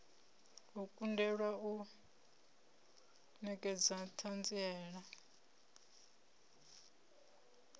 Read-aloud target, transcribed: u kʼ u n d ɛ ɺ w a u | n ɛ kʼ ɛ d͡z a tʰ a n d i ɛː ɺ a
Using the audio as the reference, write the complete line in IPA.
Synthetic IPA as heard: u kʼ u n d ɛ ɺ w a u | n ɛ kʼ ɛ d͡z a tʰ a n d͡z i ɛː ɺ a